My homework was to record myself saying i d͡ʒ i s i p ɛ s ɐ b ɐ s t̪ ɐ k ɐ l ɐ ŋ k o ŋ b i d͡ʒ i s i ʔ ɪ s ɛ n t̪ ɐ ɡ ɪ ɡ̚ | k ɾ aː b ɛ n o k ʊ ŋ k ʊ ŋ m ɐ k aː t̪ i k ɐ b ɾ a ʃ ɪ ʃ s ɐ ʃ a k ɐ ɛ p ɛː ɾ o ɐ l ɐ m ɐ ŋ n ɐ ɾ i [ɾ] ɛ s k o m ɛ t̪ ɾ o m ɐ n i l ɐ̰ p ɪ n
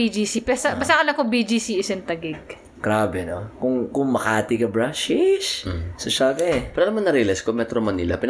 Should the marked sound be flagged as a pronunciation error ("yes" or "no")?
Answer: yes